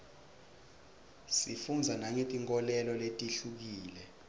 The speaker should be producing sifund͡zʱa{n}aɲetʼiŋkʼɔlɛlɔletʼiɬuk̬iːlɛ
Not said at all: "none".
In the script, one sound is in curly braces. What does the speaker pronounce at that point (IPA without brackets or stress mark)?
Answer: n